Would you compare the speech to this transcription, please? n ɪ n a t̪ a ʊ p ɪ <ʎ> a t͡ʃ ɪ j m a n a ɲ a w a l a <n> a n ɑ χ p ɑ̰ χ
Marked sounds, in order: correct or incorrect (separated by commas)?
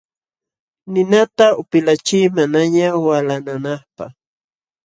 incorrect, correct